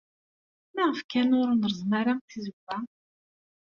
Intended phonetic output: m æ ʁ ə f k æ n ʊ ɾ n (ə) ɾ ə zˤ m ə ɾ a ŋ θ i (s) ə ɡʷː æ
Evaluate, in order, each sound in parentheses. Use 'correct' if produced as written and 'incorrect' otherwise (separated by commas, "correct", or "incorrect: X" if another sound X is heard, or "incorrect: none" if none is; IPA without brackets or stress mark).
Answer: correct, incorrect: z